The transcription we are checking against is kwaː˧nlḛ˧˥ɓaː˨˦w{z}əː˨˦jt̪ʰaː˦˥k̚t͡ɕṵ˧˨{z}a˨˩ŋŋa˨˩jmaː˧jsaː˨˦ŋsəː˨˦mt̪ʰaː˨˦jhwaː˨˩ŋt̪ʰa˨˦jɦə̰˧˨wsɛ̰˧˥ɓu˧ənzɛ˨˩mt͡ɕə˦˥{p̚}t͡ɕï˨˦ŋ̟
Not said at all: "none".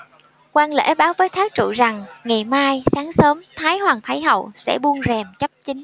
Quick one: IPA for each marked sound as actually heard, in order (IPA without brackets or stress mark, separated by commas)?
v, z, p̚